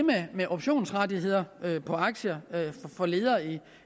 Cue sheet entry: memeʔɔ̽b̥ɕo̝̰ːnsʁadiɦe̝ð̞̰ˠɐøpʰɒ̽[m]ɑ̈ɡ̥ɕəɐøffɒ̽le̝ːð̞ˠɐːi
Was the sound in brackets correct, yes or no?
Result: no